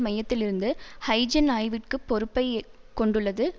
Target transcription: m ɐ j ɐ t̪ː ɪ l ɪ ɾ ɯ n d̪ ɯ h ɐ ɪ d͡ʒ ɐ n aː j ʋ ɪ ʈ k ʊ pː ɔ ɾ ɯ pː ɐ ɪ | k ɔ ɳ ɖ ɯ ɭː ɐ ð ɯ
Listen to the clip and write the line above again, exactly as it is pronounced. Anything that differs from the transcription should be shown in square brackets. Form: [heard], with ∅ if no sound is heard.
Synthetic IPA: m ɐ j ɐ t̪ː ɪ l ɪ ɾ ɯ n d̪ ɯ h ɐ ɪ d͡ʒ ɐ n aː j ʋ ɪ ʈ k [ɯ] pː ɔ ɾ ɯ pː ɐ ɪ | k ɔ ɳ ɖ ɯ ɭː ɐ ð ɯ